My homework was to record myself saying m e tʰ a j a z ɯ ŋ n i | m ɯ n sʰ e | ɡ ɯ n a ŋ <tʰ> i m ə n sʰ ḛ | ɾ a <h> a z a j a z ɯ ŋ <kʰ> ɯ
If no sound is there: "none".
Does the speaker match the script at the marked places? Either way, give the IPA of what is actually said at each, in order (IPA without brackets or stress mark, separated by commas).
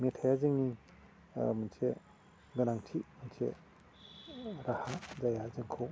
tʰ, h, kʰ